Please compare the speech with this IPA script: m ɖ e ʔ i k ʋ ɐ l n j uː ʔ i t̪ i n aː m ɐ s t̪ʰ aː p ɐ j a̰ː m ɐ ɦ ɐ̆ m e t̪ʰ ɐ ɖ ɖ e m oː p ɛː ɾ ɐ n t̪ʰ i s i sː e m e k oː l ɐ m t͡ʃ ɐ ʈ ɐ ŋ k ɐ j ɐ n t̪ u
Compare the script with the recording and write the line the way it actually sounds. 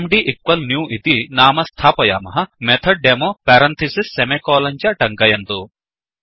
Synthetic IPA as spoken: m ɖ i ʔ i k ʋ ɐ l n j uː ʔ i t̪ i n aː m ɐ s t̪ʰ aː p ɐ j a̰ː m ɐ ɦ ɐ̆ m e t̪ʰ ɐ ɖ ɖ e m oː p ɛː ɾ ɐ n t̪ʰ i s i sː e m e k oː l ɐ ɲ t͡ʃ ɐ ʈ ɐ ŋ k ɐ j ɐ n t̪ u